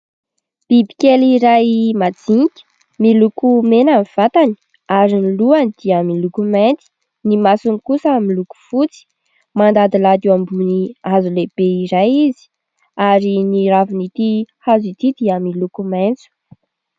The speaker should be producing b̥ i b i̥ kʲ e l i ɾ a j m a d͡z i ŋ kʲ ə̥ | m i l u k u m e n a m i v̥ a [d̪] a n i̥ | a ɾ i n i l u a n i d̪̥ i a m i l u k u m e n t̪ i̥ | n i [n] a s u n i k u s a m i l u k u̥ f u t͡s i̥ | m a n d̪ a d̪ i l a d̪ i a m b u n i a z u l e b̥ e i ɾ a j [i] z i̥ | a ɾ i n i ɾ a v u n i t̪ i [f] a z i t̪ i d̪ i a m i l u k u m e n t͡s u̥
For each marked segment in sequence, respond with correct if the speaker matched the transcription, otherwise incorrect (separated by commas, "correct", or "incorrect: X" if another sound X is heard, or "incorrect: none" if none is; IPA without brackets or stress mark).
incorrect: t̪, incorrect: m, correct, incorrect: h